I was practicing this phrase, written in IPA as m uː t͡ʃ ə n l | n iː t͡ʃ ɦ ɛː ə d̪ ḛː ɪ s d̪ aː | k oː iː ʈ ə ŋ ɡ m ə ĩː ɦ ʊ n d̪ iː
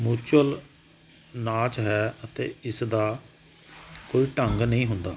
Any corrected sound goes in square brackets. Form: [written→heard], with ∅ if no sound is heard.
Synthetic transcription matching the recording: m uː t͡ʃ ə [n→∅] l | n [iː→aː] t͡ʃ ɦ ɛː ə [d̪→t̪] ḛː ɪ s d̪ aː | k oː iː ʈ ə ŋ ɡ [m→n] ə ĩː ɦ ʊ n d̪ [iː→aː]